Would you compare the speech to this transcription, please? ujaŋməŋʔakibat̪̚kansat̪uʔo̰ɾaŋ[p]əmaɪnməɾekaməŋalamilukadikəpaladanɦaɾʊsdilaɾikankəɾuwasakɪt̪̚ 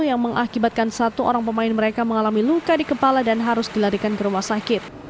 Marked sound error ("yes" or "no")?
no